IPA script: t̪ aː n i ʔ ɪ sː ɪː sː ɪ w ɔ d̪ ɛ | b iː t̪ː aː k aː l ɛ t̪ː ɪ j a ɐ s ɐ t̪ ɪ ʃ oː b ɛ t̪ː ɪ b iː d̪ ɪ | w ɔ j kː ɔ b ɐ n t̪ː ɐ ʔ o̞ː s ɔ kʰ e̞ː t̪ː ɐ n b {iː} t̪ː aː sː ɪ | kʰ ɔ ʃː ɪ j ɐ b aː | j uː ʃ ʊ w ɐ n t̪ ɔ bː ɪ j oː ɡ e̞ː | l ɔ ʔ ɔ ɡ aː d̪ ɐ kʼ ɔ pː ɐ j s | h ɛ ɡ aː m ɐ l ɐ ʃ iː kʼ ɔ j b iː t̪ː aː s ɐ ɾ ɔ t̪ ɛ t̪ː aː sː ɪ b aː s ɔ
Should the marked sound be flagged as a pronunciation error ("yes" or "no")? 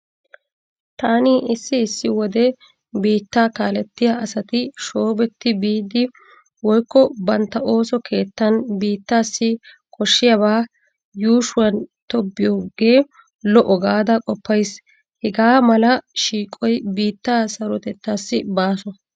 no